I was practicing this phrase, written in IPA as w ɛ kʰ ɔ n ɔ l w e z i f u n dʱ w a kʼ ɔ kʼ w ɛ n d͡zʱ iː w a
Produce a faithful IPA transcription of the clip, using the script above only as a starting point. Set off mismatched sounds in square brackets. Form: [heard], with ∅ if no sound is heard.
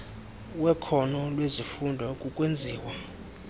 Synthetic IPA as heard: w ɛ kʰ ɔ n ɔ l w e z i f u n dʱ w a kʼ [u] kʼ w [e] n d͡zʱ iː w a